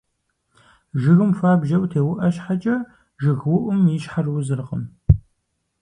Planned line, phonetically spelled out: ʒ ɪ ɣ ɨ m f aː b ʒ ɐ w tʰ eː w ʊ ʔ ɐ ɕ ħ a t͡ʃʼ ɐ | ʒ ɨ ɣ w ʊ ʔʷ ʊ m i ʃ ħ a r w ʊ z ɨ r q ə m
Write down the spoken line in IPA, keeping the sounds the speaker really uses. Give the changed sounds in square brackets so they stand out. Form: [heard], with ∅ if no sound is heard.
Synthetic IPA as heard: ʒ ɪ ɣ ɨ m f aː b ʒ ɐ w tʰ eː w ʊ ʔ ɐ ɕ ħ a t͡ʃʼ ɐ | ʒ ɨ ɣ w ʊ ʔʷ ʊ m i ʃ ħ a r w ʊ z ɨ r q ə m